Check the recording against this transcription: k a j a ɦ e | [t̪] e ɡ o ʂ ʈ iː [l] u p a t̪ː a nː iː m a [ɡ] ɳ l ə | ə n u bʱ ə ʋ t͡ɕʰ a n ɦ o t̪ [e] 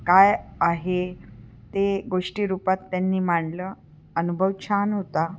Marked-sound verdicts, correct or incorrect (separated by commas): correct, incorrect, incorrect, incorrect